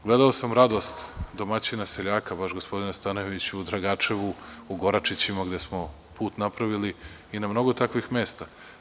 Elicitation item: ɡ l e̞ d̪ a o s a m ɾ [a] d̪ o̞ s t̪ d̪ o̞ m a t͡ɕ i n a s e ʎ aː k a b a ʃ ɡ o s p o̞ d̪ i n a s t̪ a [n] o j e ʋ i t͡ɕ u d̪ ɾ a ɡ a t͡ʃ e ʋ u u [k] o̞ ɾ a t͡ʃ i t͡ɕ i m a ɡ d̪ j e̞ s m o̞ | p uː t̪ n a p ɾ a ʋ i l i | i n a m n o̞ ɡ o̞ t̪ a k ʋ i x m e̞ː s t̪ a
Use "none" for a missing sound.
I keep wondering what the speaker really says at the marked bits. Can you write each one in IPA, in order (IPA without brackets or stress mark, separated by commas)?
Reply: a, n, ɡ